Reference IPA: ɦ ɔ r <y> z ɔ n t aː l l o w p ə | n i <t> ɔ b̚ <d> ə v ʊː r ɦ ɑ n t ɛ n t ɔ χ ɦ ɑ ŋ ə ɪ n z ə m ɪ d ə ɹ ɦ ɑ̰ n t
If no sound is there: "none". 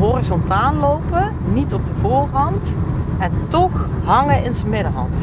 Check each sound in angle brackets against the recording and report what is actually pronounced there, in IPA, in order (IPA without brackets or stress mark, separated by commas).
i, t, d